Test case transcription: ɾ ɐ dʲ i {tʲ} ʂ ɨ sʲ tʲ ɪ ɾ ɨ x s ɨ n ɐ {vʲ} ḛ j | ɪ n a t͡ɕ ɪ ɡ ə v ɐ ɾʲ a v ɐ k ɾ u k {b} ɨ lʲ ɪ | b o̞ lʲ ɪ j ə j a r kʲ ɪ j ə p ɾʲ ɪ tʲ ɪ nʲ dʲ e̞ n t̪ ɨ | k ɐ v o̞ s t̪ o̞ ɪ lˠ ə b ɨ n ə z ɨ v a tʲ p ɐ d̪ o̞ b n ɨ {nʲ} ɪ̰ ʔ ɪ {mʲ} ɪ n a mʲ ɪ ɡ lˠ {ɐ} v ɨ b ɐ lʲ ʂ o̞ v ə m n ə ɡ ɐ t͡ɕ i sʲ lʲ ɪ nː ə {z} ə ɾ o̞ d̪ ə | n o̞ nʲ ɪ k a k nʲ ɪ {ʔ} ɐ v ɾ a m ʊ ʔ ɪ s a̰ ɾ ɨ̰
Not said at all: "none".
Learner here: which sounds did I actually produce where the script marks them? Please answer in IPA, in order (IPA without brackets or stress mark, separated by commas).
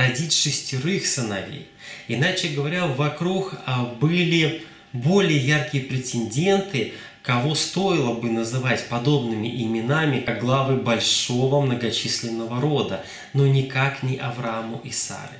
tʲ, vʲ, b, mʲ, mʲ, a, v, ʔ